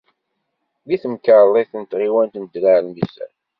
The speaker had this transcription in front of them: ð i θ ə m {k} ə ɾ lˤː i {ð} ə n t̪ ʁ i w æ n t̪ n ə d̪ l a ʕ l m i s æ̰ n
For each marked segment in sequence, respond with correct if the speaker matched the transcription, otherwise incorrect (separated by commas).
correct, incorrect